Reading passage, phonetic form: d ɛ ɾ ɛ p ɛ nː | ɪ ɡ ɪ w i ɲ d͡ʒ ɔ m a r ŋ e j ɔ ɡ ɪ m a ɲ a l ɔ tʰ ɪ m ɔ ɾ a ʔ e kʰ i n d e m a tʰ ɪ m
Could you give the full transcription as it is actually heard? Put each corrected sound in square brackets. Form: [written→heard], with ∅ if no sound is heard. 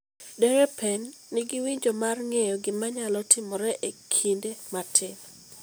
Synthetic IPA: d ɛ ɾ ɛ p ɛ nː | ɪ ɡ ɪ w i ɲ d͡ʒ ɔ m a r ŋ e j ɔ ɡ ɪ m a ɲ a l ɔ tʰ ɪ m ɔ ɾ [a→ɛ] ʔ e kʰ i n d e m a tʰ ɪ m